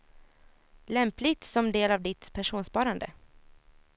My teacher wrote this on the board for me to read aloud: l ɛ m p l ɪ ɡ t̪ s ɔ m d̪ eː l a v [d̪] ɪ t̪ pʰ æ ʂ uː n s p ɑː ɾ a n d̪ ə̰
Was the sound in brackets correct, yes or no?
yes